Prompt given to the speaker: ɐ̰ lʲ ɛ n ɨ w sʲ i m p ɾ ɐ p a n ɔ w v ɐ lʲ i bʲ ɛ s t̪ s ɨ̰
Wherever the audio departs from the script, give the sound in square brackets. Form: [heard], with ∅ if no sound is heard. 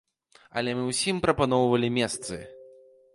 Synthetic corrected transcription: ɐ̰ lʲ ɛ [m] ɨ w sʲ i m p ɾ ɐ p a n ɔ w v ɐ lʲ i [mʲ] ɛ s t̪ s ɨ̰